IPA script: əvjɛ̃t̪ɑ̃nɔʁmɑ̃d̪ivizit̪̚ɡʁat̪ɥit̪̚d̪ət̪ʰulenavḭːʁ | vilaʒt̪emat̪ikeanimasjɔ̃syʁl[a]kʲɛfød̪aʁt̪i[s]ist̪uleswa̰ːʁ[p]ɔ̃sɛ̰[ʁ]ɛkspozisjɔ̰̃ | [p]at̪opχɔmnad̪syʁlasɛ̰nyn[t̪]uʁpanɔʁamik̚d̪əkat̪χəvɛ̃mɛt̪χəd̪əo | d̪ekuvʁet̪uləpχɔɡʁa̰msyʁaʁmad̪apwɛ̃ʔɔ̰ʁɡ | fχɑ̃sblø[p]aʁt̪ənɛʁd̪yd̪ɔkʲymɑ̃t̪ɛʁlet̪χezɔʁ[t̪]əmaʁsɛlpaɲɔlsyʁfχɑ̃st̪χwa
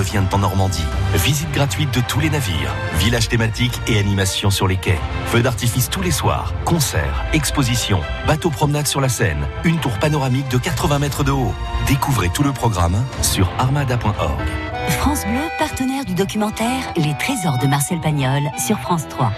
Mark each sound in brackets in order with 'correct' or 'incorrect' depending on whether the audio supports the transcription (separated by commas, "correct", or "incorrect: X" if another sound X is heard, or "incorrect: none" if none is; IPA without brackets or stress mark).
incorrect: e, incorrect: f, incorrect: k, correct, incorrect: b, correct, correct, incorrect: d̪